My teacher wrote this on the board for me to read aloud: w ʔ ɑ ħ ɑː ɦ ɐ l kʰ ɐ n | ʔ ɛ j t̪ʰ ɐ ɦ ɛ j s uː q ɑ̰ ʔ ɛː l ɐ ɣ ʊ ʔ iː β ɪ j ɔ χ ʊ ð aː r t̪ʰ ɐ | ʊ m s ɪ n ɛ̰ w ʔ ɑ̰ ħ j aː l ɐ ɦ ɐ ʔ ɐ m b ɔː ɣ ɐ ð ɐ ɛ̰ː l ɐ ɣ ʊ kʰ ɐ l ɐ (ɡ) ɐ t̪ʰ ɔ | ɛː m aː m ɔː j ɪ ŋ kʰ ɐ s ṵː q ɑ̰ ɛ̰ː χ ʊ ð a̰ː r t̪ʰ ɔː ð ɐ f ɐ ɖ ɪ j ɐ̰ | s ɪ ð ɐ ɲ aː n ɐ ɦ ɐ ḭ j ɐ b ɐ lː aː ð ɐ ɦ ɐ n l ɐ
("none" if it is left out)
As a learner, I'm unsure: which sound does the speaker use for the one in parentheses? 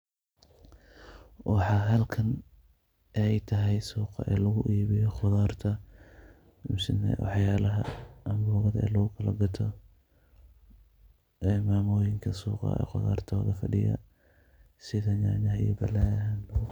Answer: ɡ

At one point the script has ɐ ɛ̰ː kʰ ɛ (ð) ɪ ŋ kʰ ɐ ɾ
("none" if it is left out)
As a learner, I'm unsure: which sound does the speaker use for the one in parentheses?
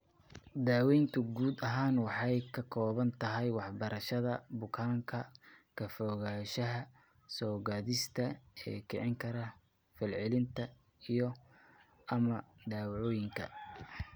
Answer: ʕ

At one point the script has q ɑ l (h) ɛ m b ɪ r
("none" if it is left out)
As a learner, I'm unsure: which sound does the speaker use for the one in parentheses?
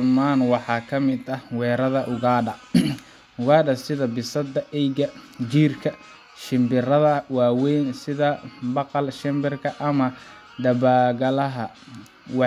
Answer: ʃ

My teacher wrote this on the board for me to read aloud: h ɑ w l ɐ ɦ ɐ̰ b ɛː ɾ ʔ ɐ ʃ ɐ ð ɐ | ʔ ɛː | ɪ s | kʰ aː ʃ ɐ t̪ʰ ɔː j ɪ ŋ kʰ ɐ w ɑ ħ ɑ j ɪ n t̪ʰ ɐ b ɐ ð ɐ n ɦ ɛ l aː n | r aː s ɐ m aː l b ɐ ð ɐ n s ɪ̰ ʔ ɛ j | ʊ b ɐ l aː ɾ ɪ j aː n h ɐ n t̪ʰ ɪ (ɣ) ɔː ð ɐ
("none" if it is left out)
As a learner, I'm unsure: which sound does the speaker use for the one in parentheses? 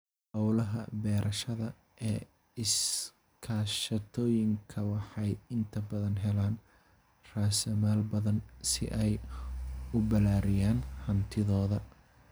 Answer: ð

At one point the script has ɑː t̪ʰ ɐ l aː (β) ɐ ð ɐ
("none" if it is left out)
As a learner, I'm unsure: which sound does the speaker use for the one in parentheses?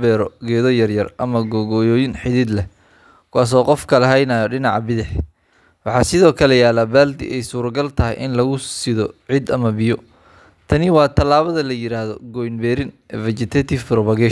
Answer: β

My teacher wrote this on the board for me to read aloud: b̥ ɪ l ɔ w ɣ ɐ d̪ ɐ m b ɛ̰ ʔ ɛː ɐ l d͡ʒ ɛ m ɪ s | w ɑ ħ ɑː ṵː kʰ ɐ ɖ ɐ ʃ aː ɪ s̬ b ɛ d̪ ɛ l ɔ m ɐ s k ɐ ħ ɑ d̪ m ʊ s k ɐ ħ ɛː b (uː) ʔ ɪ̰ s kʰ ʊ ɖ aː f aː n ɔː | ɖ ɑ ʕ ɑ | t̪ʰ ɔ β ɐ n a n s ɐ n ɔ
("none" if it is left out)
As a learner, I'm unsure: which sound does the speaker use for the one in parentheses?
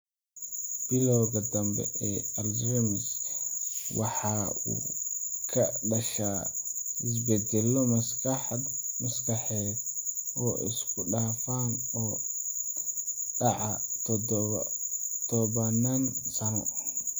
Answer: ɔː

